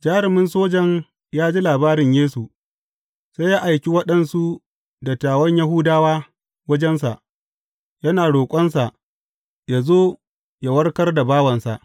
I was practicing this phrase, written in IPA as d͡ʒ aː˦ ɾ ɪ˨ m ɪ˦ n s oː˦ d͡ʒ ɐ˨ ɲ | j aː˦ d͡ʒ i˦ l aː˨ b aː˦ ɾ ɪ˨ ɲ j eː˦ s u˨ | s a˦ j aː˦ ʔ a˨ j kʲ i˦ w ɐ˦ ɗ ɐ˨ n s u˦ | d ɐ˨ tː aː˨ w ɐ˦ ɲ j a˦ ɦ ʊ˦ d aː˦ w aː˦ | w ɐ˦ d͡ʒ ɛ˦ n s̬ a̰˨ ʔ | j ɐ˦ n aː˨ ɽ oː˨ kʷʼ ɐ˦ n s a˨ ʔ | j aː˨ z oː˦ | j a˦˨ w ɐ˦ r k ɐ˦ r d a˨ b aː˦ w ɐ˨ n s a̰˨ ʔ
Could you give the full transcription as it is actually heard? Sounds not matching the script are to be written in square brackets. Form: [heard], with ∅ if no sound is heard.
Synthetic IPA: d͡ʒ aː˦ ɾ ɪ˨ m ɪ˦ n s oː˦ d͡ʒ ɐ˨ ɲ | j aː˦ d͡ʒ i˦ l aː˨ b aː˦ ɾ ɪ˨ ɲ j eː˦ s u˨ | s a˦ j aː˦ ʔ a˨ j kʲ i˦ w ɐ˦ ɗ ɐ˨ n s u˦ | d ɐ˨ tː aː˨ w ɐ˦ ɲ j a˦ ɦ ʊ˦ d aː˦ w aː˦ | w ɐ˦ d͡ʒ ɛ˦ n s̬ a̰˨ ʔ | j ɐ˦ n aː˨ ɽ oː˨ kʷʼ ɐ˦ n s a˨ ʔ | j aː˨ z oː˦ | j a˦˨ w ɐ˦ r k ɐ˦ r d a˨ b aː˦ w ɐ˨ n s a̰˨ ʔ